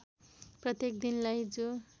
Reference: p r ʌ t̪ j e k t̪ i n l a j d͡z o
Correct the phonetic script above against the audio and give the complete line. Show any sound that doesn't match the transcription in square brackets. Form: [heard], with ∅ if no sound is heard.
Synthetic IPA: p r ʌ t̪ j e k [d̪] i n l a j d͡z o